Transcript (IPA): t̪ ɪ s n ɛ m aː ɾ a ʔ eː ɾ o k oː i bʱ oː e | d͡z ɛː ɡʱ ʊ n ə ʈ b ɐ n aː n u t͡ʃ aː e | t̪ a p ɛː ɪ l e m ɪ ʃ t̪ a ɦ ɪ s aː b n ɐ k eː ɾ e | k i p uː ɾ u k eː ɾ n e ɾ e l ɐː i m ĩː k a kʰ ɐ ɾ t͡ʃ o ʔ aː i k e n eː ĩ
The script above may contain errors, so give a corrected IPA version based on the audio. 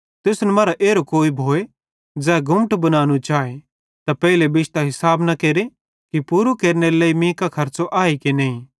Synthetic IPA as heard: t̪ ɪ s n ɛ m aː ɾ a ʔ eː ɾ o k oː i bʱ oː e | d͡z ɛː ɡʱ ʊ m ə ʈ b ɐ n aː n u t͡ʃ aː e | t̪ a p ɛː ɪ l e b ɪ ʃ t̪ a ɦ ɪ s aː b n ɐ k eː ɾ e | k i p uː ɾ u k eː ɾ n e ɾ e l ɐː i m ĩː k a kʰ ɐ ɾ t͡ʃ o ʔ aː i k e n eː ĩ